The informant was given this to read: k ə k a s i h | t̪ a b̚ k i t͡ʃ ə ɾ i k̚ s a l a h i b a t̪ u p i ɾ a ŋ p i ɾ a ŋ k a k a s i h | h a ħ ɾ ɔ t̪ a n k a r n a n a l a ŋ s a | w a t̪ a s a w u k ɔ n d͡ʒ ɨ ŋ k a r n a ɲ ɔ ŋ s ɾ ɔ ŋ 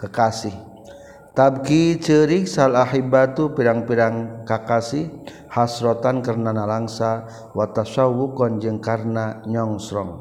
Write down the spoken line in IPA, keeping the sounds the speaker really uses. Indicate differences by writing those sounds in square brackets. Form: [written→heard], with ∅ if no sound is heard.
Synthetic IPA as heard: k ə k a s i h | t̪ a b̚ k i t͡ʃ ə ɾ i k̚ s a l a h i b a t̪ u p i ɾ a ŋ p i ɾ a ŋ k a k a s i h | h a [ħ→s] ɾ ɔ t̪ a n k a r n a n a l a ŋ s a | w a t̪ a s a w u k ɔ n d͡ʒ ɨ ŋ k a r n a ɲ ɔ ŋ s ɾ ɔ ŋ